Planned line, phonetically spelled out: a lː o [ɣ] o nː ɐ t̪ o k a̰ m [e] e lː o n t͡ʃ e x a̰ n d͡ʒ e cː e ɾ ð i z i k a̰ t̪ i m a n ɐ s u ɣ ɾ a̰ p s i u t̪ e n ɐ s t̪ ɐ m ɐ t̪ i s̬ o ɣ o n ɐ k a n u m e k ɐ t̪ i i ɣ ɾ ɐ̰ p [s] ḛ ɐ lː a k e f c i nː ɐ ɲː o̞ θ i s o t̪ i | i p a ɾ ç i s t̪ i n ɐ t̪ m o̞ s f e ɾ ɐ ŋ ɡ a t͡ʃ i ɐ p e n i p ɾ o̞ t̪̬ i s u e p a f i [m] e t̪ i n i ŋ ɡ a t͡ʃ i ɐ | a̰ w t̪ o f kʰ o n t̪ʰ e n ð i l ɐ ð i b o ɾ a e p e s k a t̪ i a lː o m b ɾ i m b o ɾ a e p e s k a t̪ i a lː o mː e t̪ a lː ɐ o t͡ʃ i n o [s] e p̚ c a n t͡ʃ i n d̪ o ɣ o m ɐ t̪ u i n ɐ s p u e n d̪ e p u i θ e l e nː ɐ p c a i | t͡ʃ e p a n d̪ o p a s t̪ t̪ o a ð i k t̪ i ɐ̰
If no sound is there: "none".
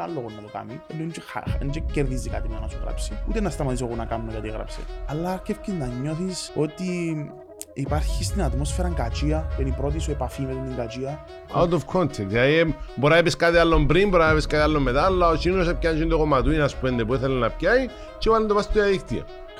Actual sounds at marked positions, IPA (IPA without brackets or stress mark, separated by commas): ɣ, i, s, m, s